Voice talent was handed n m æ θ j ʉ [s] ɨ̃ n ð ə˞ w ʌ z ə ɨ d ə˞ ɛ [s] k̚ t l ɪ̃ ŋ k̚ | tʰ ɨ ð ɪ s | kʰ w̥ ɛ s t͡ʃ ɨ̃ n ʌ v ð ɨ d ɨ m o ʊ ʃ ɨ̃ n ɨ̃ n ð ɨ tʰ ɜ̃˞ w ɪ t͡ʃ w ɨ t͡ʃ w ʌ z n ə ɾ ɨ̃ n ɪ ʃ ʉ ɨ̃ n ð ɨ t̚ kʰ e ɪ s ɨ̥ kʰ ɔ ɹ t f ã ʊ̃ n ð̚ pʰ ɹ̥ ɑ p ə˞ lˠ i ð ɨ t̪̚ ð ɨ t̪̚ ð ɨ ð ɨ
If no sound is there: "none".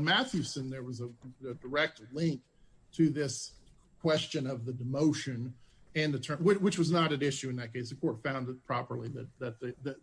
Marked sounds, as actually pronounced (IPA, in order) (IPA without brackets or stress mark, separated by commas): s, none